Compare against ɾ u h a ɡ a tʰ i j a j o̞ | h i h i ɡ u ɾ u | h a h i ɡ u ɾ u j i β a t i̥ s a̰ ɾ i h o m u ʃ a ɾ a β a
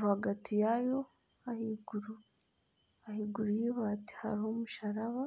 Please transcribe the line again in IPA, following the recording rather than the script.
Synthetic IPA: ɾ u h a ɡ a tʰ i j a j o̞ | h a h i ɡ u ɾ u | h a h i ɡ u ɾ u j i β a t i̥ h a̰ ɾ i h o m u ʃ a ɾ a β a

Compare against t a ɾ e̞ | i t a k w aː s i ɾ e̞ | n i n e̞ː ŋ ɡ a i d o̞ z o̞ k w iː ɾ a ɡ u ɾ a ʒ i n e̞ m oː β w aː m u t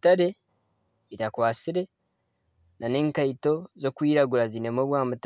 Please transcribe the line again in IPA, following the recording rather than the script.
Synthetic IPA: t a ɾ e̞ | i t a k w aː s i ɾ e̞ | n a n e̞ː ŋ k a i t o̞ z o̞ k w iː ɾ a ɡ u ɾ a z i n e̞ m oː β w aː m u t

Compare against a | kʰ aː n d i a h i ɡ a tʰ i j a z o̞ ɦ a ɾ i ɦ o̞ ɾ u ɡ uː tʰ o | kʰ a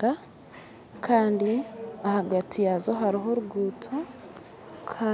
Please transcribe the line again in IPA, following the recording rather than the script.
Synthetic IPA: a | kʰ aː n d i a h a ɡ a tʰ i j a z o̞ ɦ a ɾ i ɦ o̞ ɾ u ɡ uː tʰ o | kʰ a

